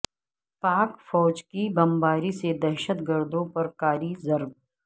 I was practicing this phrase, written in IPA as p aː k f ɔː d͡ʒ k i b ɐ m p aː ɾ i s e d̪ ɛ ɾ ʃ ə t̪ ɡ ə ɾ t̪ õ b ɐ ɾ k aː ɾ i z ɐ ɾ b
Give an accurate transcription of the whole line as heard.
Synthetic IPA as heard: p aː k f ɔː d͡ʒ k i b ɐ m b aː ɾ i s e d̪ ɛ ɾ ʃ ə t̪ ɡ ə ɾ d̪ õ p ɐ ɾ k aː ɾ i z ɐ ɾ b